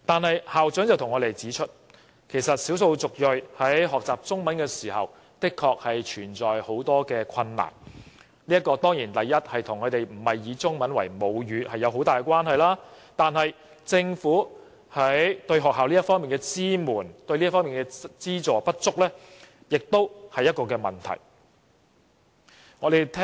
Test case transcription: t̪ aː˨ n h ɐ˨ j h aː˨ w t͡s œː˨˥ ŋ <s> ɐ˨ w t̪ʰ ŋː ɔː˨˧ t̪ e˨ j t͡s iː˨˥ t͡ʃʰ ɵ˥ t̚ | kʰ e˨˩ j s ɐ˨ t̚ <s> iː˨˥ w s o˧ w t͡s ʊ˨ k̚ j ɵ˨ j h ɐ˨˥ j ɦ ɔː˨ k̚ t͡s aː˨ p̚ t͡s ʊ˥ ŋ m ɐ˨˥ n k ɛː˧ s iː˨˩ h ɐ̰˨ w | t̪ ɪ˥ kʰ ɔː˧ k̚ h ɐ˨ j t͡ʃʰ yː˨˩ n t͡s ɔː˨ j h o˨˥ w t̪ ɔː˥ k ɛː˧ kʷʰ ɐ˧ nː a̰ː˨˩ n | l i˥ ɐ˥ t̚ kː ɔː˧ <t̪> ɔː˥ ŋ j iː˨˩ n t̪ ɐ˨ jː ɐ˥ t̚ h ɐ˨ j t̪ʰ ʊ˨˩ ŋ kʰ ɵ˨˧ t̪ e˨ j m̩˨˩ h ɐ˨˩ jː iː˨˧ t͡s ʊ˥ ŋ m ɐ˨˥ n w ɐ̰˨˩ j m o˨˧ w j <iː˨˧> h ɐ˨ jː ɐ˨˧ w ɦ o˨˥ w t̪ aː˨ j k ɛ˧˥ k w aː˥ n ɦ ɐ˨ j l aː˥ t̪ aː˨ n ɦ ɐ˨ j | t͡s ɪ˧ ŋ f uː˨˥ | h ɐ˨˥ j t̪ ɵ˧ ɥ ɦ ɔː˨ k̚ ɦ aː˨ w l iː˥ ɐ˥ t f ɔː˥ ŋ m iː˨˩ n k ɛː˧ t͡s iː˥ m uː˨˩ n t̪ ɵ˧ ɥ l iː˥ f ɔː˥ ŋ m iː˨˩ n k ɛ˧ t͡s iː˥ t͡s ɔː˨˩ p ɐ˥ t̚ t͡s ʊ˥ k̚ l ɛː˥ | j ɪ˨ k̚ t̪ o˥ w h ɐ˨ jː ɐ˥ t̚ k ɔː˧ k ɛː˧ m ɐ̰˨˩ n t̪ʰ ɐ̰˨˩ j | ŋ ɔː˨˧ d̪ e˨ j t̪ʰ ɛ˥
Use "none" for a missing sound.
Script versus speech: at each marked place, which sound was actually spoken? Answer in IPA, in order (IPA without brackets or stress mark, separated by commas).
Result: t͡s, s, t̪, yː˨˧